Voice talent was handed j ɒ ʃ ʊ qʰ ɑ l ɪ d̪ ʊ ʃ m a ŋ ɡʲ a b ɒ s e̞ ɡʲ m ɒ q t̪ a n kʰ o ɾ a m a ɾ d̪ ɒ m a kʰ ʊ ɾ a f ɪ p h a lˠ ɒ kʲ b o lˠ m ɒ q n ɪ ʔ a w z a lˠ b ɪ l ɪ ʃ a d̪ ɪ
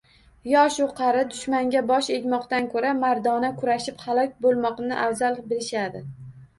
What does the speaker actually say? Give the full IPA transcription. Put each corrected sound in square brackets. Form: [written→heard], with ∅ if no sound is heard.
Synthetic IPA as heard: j ɒ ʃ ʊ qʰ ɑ [l→ɾ] ɪ d̪ ʊ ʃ m a ŋ ɡʲ a b ɒ [s→ʃ] e̞ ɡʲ m ɒ q t̪ a n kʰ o ɾ a m a ɾ d̪ ɒ [m→n] a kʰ ʊ ɾ a [f→ʃ] ɪ p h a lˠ ɒ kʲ b o lˠ m ɒ q n ɪ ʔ a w z a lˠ b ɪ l ɪ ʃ a d̪ ɪ